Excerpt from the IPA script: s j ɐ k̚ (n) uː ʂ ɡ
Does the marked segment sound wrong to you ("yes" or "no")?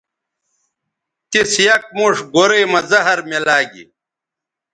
yes